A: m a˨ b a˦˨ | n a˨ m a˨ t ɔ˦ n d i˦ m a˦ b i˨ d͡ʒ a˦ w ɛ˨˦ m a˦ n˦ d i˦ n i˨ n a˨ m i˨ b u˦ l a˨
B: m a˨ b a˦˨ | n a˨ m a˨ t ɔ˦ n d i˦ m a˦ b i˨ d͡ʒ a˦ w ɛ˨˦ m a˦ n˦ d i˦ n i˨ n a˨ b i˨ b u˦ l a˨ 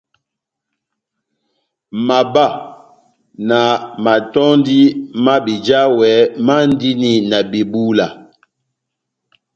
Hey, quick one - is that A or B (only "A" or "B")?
B